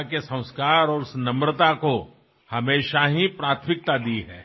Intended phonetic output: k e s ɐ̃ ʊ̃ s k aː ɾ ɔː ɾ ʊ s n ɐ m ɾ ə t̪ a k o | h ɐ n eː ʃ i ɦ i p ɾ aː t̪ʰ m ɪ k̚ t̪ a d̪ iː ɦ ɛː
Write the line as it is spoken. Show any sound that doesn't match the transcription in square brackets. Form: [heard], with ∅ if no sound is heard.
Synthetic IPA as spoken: k e s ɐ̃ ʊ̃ s k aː ɾ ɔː ɾ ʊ s n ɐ m ɾ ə t̪ a k o | h ɐ [m] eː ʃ [a] ɦ i p ɾ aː t̪ʰ m ɪ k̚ t̪ a d̪ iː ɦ ɛː